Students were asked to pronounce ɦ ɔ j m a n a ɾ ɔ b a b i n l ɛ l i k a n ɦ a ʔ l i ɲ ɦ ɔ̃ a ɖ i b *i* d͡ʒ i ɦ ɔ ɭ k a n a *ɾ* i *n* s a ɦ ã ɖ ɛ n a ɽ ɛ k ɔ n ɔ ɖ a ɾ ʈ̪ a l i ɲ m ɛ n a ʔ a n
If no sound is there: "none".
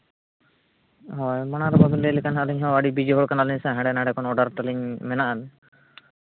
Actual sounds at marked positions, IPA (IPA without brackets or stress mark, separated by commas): i, l, ɲ